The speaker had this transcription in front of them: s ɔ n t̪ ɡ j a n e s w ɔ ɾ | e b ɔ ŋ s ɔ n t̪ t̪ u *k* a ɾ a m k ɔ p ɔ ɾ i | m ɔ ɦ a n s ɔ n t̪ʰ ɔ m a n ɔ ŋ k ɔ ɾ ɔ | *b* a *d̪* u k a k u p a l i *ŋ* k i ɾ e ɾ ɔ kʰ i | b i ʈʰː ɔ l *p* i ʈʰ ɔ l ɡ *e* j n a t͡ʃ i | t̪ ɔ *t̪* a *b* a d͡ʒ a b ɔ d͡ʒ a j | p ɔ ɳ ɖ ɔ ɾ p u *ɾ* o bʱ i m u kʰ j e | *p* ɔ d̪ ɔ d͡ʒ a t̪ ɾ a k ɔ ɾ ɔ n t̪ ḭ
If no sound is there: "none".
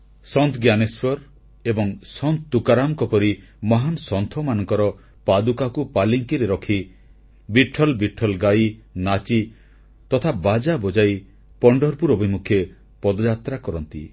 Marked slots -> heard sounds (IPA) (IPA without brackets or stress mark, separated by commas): k, p, d̪, ŋ, b, a, t̪ʰ, b, ɾ, p